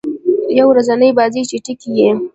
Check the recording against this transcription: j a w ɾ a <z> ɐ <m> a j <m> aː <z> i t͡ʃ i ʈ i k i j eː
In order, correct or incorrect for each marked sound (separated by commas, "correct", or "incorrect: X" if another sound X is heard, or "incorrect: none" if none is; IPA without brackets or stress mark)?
correct, incorrect: n, incorrect: b, correct